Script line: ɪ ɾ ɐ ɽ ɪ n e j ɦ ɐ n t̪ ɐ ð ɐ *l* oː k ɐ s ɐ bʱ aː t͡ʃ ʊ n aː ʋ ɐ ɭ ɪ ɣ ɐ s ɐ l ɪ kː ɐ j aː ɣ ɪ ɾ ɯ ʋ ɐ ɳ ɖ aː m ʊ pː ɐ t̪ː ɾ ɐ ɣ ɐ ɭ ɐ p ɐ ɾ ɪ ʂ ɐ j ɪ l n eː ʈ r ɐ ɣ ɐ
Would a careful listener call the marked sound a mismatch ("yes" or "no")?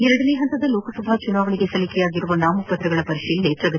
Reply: no